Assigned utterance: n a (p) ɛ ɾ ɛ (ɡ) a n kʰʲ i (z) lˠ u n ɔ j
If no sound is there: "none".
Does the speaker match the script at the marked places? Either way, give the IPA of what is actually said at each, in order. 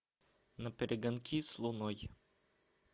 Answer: p, ɡ, s

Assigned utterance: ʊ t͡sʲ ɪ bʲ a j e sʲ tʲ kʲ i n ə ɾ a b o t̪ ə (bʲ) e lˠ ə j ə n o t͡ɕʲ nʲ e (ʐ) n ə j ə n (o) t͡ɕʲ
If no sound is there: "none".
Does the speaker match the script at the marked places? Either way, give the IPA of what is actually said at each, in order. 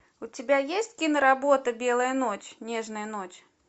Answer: bʲ, ʐ, o

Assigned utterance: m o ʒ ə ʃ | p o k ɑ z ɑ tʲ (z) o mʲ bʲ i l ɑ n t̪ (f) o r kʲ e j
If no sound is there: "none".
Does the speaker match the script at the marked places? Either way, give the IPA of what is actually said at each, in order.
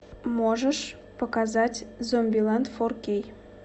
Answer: z, f

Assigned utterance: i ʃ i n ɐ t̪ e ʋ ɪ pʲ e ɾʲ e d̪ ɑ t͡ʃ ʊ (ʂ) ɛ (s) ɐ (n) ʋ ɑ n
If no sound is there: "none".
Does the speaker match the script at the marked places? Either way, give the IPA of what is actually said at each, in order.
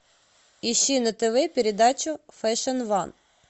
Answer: f, ʃ, n

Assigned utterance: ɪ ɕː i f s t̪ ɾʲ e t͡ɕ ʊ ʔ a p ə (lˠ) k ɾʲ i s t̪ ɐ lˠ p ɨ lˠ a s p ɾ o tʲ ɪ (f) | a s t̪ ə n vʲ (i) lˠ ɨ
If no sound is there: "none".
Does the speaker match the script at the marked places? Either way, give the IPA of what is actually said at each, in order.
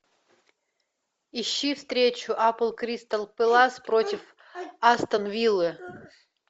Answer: lˠ, f, i

